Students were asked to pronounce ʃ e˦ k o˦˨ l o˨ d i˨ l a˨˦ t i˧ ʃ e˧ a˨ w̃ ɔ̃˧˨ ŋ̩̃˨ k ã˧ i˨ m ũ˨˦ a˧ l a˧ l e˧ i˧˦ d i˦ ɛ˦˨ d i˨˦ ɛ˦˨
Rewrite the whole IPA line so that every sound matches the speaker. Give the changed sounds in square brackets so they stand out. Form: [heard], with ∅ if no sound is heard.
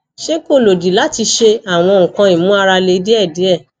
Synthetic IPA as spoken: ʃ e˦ k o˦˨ l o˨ d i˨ l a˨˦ t i˧ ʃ e˧ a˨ w̃ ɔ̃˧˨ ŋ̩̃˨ k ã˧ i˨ m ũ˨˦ a˧ [ɾ] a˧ l e˧ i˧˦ d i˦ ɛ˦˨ d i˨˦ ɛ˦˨